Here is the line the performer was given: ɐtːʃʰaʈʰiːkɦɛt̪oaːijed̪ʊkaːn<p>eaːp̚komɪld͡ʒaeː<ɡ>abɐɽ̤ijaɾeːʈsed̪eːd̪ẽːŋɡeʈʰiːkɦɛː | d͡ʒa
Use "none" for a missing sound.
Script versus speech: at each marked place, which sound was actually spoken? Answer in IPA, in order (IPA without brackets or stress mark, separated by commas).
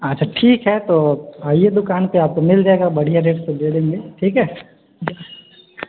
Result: p, ɡ